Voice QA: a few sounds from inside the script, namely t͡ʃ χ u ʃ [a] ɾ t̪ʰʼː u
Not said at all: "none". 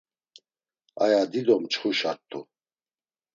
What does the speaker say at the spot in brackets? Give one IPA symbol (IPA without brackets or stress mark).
a